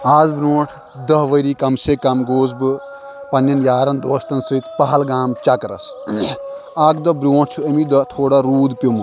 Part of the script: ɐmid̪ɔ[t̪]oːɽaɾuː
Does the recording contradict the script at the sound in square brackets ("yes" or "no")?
yes